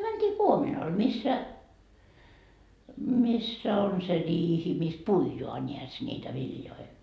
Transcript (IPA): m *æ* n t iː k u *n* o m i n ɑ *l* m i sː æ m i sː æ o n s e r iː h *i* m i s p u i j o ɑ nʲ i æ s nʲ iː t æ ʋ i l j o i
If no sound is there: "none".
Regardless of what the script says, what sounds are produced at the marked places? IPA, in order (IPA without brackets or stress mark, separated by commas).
æ, none, l, i